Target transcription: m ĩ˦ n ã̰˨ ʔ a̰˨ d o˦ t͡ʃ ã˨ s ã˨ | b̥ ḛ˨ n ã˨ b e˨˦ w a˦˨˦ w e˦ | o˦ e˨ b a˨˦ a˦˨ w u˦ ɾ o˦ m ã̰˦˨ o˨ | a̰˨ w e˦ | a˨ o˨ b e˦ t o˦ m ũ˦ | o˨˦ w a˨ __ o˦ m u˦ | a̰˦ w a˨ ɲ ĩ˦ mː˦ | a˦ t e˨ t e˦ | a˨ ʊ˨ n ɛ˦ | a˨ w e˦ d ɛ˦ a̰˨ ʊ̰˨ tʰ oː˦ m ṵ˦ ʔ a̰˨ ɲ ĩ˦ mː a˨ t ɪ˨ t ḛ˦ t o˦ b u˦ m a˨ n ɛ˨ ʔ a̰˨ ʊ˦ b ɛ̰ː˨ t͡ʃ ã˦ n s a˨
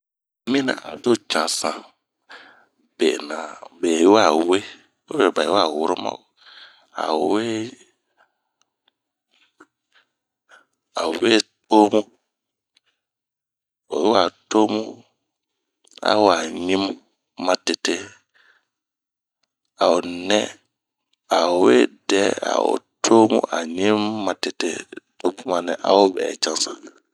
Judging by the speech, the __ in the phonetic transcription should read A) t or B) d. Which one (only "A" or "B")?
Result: A